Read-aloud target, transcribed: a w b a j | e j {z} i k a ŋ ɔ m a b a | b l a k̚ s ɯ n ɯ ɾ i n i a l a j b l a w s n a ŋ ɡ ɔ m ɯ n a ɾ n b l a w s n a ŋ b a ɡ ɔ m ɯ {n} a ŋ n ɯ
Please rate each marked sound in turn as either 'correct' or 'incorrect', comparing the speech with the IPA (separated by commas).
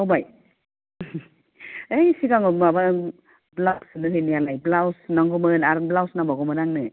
incorrect, correct